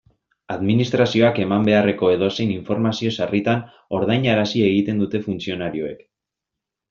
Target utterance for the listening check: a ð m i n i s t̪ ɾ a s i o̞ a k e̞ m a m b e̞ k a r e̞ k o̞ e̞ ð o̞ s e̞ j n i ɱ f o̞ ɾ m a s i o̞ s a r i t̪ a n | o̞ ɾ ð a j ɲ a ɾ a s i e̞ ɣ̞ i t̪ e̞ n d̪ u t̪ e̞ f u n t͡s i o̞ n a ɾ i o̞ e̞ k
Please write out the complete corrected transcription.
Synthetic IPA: a ð m i n i s t̪ ɾ a s i o̞ a k e̞ m a m b e̞ a r e̞ k o̞ e̞ ð o̞ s e̞ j n i ɱ f o̞ ɾ m a s i o̞ s a r i t̪ a n | o̞ ɾ ð a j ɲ a ɾ a s i e̞ ɣ̞ i t̪ e̞ n d̪ u t̪ e̞ f u n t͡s i o̞ n a ɾ i o̞ e̞ k